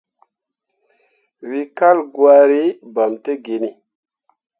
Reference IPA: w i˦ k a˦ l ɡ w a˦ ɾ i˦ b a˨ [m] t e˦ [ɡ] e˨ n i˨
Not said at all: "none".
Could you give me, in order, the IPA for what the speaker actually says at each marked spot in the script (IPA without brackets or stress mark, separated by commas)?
m, ɡ